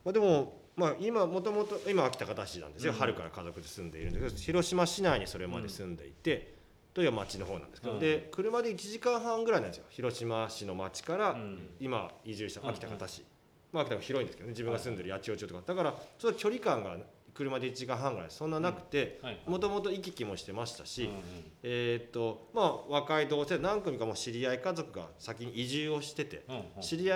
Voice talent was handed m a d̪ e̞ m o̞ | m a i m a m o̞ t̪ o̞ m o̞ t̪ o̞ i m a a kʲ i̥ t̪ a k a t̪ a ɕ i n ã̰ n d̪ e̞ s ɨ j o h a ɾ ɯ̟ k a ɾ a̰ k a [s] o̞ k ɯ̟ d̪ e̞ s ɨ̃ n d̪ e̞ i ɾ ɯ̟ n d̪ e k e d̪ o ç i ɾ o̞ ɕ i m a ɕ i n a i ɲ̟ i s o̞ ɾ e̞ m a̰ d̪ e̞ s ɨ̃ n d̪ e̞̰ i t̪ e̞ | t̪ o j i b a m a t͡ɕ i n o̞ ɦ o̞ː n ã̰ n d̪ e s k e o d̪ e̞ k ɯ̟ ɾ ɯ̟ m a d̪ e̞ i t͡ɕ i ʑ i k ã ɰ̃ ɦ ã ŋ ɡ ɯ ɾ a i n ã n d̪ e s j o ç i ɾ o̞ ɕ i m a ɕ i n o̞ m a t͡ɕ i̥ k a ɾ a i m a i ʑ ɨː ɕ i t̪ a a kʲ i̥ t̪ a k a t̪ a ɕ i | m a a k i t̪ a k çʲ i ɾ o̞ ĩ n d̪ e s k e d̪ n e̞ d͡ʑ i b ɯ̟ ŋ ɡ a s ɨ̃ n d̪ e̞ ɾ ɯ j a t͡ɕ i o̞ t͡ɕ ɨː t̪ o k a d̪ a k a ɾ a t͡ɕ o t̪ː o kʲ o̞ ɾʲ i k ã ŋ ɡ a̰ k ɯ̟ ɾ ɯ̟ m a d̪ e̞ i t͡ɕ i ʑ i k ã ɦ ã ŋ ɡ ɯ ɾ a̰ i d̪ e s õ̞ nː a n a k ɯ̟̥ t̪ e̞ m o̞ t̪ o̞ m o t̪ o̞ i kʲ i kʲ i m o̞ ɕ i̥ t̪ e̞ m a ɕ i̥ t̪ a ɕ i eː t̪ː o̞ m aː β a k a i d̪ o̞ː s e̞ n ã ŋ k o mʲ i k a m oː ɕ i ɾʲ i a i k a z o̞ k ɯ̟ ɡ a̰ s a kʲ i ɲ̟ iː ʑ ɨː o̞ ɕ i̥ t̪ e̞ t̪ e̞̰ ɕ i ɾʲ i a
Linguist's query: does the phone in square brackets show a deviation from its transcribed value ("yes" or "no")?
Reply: yes